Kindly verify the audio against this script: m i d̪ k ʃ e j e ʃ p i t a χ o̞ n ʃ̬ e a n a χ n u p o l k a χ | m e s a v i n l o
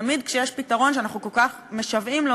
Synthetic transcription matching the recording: m i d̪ k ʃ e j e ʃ p i t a ʁ o̞ n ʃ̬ e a n a χ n u k o l k a χ | m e ʃ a v i m l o